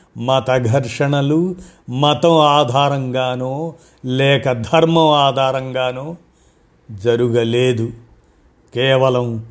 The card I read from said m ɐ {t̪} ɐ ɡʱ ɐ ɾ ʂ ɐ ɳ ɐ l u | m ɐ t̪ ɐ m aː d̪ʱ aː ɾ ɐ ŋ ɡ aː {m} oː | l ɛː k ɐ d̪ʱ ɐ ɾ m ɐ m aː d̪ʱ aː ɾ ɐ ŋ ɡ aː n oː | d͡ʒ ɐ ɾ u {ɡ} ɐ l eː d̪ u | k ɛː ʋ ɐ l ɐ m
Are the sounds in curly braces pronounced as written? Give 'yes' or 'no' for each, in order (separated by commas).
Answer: yes, no, yes